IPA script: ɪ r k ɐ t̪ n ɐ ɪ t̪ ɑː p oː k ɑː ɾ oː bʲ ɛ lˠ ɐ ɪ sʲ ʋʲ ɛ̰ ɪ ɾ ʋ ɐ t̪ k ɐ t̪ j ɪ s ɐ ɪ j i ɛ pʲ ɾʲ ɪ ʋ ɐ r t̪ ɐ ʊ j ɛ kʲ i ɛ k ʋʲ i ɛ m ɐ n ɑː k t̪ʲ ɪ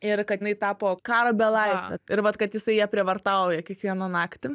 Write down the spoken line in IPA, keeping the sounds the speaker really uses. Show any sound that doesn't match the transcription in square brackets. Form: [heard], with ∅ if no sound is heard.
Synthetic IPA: ɪ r k ɐ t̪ n ɐ ɪ t̪ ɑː p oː k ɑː ɾ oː bʲ ɛ lˠ ɐ ɪ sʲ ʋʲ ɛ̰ ɪ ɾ ʋ ɐ t̪ k ɐ t̪ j ɪ s ɐ ɪ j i ɛ pʲ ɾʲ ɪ ʋ ɐ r t̪ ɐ ʊ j ɛ kʲ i ɛ k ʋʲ i ɛ [n] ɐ n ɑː k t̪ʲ ɪ